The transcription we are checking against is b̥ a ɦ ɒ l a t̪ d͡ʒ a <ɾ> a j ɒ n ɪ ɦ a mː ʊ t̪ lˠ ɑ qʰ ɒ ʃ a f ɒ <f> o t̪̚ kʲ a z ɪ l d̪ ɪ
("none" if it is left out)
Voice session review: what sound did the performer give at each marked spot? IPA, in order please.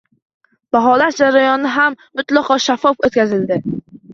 ɾ, f

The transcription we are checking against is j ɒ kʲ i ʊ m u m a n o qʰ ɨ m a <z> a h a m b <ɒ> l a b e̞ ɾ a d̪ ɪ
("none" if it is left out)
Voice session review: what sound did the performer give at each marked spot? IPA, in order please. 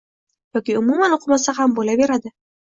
s, o

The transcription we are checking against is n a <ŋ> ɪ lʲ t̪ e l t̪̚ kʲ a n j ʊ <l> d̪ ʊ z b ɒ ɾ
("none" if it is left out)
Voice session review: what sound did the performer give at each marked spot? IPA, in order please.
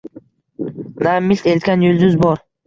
m, l

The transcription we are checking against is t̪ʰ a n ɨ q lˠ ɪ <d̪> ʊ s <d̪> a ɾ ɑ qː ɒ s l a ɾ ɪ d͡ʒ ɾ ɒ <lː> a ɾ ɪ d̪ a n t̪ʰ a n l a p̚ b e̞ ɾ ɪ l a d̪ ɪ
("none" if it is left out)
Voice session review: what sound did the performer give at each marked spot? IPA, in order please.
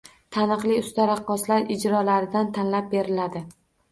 none, t̪, l

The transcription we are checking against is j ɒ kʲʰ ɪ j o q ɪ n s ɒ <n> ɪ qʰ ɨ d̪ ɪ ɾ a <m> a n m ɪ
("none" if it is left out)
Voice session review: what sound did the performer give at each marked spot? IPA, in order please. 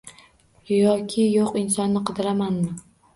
nː, m

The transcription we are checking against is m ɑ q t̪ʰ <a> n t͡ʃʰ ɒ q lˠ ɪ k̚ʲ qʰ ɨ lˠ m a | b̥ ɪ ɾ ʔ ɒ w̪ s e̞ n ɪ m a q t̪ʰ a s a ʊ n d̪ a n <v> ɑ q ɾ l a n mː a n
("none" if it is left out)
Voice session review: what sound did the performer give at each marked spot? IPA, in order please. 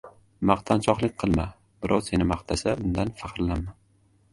a, f

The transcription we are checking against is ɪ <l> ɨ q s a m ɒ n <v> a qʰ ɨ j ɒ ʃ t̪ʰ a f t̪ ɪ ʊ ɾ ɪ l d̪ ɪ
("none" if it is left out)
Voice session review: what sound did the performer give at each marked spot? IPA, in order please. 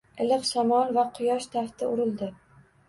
l, v

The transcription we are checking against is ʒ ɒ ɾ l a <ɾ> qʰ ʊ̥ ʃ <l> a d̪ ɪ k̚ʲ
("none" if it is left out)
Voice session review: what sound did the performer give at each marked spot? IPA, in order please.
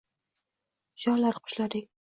ɾ, l

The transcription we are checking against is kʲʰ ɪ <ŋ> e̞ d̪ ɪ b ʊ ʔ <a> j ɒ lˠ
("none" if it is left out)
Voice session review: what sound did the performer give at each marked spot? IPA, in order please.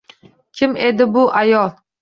m, a

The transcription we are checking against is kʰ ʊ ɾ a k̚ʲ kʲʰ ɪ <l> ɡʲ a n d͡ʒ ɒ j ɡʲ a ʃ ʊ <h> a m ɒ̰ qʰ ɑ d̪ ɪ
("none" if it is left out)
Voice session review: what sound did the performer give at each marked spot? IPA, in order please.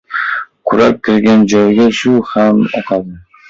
ɾ, h

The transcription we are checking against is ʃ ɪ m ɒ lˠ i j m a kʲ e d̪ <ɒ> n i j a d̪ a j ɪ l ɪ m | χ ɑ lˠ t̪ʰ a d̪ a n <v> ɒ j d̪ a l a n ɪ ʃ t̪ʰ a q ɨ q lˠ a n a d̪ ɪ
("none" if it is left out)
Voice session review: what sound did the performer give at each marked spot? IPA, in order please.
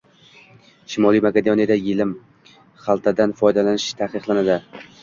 o, f

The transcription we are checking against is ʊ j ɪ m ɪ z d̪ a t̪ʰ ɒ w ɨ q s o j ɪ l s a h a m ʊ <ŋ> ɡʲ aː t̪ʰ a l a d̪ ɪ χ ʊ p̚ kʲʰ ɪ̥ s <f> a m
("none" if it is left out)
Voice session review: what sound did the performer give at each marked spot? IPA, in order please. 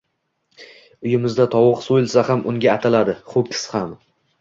ŋ, h

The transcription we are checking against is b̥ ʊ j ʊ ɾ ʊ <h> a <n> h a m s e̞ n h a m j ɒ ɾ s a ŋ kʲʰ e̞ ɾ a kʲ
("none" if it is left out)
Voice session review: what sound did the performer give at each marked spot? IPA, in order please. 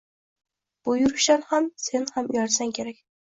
ʃ, n

